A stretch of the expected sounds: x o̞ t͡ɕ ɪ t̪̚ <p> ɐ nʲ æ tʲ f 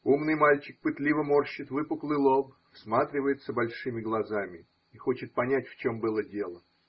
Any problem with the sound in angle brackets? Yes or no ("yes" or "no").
no